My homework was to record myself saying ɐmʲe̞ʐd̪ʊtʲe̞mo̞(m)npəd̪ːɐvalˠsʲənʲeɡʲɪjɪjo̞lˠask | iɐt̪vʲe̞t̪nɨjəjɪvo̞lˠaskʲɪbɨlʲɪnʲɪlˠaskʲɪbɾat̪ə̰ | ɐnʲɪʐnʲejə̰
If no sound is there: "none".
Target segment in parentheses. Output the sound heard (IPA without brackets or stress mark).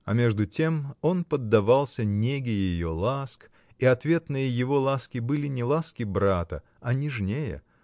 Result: none